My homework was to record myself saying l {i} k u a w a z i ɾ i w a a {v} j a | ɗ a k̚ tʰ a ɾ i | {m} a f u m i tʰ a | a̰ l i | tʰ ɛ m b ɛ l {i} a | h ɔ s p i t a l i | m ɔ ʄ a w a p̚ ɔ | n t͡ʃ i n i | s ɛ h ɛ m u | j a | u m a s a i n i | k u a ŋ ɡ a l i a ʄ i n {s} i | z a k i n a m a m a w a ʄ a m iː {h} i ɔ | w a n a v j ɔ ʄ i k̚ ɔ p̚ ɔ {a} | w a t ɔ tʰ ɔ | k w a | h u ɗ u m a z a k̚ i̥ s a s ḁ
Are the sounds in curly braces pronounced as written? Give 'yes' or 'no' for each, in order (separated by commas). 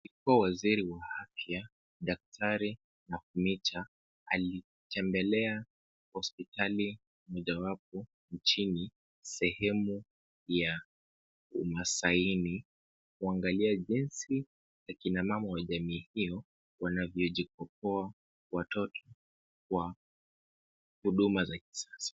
yes, no, no, no, yes, yes, yes